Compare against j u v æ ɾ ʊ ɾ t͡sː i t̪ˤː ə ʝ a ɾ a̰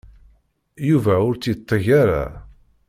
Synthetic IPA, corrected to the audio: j u v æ ʊ ɾ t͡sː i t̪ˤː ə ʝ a ɾ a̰